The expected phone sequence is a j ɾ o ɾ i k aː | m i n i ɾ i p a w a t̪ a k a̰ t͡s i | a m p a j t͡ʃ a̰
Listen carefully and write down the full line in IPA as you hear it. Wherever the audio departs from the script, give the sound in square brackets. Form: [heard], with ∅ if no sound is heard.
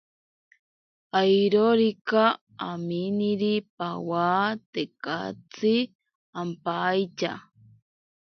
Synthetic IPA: a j ɾ o ɾ i k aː | m i n i ɾ i p a w a t̪ [e] k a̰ t͡s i | a m p a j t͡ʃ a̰